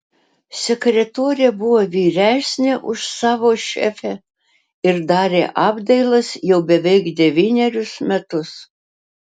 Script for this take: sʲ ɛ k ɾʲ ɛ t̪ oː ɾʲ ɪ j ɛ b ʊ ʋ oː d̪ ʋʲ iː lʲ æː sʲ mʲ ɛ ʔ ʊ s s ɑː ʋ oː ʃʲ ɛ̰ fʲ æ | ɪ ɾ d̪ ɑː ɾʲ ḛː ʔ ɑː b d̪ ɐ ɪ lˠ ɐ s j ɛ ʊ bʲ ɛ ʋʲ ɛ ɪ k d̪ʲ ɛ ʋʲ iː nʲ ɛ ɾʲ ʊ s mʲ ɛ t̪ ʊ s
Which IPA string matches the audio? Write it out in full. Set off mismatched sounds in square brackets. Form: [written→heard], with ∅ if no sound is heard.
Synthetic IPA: sʲ ɛ k ɾʲ ɛ t̪ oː ɾʲ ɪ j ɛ b ʊ ʋ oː [d̪→∅] ʋʲ iː [lʲ→ɾʲ] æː sʲ [mʲ→nʲ] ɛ ʔ ʊ [s→ʃ] s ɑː ʋ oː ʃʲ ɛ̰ fʲ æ | ɪ ɾ d̪ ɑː ɾʲ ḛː ʔ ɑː b d̪ ɐ ɪ lˠ ɐ s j ɛ ʊ bʲ ɛ ʋʲ ɛ ɪ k d̪ʲ ɛ ʋʲ iː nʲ ɛ ɾʲ ʊ s mʲ ɛ t̪ ʊ s

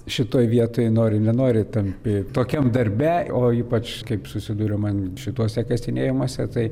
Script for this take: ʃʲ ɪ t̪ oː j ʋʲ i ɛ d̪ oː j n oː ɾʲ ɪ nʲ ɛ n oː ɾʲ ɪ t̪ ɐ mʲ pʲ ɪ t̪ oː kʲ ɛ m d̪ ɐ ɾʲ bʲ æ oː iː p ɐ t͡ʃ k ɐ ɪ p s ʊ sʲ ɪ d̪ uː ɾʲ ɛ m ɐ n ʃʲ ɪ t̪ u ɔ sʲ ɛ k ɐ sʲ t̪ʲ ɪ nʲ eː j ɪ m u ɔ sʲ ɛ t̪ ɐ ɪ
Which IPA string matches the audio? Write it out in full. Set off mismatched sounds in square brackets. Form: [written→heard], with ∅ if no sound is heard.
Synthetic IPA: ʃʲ ɪ t̪ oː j ʋʲ i ɛ [d̪→t̪] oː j n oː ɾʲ ɪ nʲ ɛ n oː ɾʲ ɪ t̪ ɐ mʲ pʲ ɪ t̪ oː kʲ ɛ m d̪ ɐ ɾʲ bʲ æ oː iː p ɐ t͡ʃ k ɐ ɪ p s ʊ sʲ ɪ d̪ uː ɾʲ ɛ m ɐ n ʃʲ ɪ t̪ u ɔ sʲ ɛ k ɐ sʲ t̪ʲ ɪ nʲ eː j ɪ m u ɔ sʲ ɛ t̪ ɐ ɪ

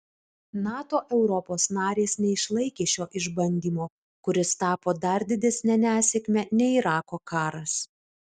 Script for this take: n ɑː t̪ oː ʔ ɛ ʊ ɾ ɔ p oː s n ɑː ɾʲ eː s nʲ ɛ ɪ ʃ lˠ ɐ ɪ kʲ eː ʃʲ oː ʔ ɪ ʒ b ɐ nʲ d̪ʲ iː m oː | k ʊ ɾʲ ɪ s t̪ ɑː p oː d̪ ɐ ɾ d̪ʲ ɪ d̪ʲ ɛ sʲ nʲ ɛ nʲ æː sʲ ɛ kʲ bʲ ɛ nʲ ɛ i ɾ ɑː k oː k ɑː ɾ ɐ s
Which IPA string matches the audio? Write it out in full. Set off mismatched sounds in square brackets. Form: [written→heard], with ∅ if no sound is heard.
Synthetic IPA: n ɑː t̪ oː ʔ ɛ ʊ ɾ ɔ p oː s n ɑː ɾʲ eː s nʲ ɛ ɪ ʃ lˠ ɐ ɪ kʲ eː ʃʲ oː ʔ ɪ ʒ b ɐ nʲ d̪ʲ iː m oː | k ʊ ɾʲ ɪ s t̪ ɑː p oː d̪ ɐ ɾ d̪ʲ ɪ d̪ʲ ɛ sʲ nʲ ɛ nʲ æː sʲ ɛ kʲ [bʲ→mʲ] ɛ nʲ ɛ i ɾ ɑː k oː k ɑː ɾ ɐ s

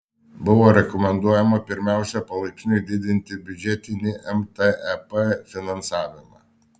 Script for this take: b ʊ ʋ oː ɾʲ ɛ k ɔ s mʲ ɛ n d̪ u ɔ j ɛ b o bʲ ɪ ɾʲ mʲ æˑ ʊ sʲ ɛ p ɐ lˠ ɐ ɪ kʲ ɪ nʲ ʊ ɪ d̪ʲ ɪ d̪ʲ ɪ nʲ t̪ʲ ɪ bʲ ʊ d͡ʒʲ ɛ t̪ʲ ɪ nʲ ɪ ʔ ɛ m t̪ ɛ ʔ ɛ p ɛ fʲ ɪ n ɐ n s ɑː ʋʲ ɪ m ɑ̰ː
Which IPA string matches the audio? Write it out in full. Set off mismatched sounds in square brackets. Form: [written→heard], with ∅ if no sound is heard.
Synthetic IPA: b ʊ ʋ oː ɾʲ ɛ k ɔ [s→∅] mʲ ɛ n d̪ u ɔ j ɛ [b→m] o [bʲ→pʲ] ɪ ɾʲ mʲ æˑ ʊ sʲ ɛ p ɐ lˠ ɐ ɪ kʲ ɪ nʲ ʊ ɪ d̪ʲ ɪ d̪ʲ ɪ nʲ t̪ʲ ɪ bʲ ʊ d͡ʒʲ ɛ t̪ʲ ɪ nʲ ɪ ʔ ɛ m t̪ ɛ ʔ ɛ p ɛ fʲ ɪ n ɐ n s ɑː ʋʲ ɪ m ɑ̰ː

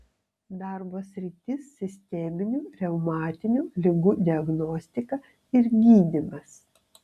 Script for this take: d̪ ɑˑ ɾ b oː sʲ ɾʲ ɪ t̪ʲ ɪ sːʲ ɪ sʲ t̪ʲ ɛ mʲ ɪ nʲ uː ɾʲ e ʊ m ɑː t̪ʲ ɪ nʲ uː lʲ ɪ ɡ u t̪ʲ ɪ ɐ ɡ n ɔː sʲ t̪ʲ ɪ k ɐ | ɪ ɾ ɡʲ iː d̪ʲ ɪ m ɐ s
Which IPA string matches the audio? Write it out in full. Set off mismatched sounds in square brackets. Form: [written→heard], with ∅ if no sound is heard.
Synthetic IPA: d̪ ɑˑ ɾ b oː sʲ ɾʲ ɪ t̪ʲ ɪ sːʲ ɪ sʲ t̪ʲ ɛ mʲ ɪ nʲ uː ɾʲ [e→ɛ] ʊ m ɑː t̪ʲ ɪ nʲ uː lʲ ɪ ɡ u [t̪ʲ→d̪ʲ] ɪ ɐ ɡ n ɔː sʲ t̪ʲ ɪ k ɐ | ɪ ɾ ɡʲ iː d̪ʲ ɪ m ɐ s

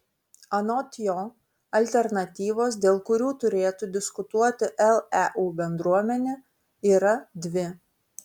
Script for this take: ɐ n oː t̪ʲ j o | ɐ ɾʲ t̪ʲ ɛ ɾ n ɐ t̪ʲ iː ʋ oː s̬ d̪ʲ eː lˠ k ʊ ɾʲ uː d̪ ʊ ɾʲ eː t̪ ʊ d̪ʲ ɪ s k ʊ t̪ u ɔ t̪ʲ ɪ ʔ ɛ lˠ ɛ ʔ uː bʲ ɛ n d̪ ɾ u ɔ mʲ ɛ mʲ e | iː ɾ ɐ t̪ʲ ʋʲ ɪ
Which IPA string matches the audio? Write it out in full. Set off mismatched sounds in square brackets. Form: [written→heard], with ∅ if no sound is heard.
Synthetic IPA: ɐ n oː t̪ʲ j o | ɐ [ɾʲ→lʲ] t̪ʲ ɛ ɾ n ɐ t̪ʲ iː ʋ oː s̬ d̪ʲ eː lˠ k ʊ ɾʲ uː [d̪→t̪] ʊ ɾʲ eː t̪ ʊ d̪ʲ ɪ s k ʊ t̪ u ɔ t̪ʲ ɪ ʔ ɛ lˠ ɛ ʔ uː bʲ ɛ n d̪ ɾ u ɔ mʲ ɛ [mʲ→nʲ] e | iː ɾ ɐ [t̪ʲ→d̪ʲ] ʋʲ ɪ

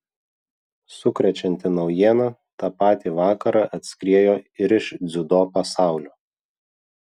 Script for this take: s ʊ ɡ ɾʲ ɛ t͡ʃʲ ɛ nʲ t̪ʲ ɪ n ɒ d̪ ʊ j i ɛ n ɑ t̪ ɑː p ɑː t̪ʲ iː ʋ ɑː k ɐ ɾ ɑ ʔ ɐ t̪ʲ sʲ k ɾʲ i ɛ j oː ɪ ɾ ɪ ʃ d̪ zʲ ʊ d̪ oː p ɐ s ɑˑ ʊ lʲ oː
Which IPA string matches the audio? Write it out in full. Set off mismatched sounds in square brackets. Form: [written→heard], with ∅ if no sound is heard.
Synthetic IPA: s ʊ [ɡ→k] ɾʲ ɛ t͡ʃʲ ɛ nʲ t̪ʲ ɪ n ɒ [d̪→∅] ʊ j i ɛ n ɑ t̪ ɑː p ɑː t̪ʲ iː ʋ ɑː k ɐ ɾ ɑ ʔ ɐ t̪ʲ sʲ k ɾʲ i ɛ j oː ɪ ɾ ɪ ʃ d̪ zʲ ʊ d̪ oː p ɐ s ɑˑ ʊ lʲ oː

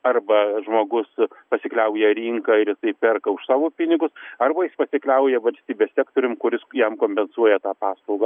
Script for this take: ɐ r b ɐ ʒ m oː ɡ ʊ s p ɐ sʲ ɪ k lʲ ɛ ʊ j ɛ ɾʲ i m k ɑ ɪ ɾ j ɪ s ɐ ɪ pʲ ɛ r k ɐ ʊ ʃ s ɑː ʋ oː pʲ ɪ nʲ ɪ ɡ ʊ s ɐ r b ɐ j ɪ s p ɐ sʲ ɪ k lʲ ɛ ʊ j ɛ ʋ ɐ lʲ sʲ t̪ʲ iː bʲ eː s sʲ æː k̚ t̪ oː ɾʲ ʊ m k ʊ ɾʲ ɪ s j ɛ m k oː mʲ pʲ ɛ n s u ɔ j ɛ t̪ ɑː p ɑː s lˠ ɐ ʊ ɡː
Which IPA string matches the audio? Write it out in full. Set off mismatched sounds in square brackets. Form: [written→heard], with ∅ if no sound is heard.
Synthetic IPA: ɐ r b ɐ ʒ m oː ɡ ʊ s p ɐ sʲ ɪ k lʲ ɛ ʊ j ɛ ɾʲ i [m→ŋ] k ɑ ɪ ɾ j ɪ s ɐ ɪ pʲ ɛ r k ɐ ʊ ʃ s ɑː ʋ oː pʲ ɪ nʲ ɪ ɡ ʊ s ɐ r b ɐ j ɪ s p ɐ sʲ ɪ k lʲ ɛ ʊ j ɛ ʋ ɐ lʲ sʲ t̪ʲ iː bʲ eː s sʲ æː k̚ t̪ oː ɾʲ ʊ m k ʊ ɾʲ ɪ s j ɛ m k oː mʲ pʲ ɛ n s u ɔ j ɛ t̪ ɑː p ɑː s lˠ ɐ ʊ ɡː

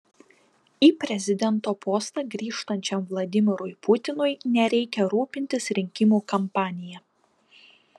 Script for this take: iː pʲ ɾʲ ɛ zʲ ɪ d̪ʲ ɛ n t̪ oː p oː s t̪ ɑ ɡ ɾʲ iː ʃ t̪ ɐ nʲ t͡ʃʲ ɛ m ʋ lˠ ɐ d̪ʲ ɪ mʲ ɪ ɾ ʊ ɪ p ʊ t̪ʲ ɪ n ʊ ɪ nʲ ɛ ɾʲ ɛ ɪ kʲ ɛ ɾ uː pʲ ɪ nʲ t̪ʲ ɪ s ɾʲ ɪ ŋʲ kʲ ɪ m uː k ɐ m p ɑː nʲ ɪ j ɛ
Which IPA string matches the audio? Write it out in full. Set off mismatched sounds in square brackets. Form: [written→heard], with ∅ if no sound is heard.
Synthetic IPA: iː pʲ ɾʲ ɛ zʲ ɪ d̪ʲ ɛ n t̪ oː p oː s t̪ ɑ ɡ ɾʲ iː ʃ t̪ ɐ nʲ t͡ʃʲ ɛ m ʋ lˠ ɐ d̪ʲ ɪ mʲ ɪ ɾ ʊ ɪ p ʊ t̪ʲ ɪ n ʊ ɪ nʲ ɛ ɾʲ ɛ ɪ kʲ ɛ ɾ uː pʲ ɪ nʲ t̪ʲ ɪ s ɾʲ ɪ ŋʲ kʲ ɪ m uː k ɐ m p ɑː nʲ ɪ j ɛ

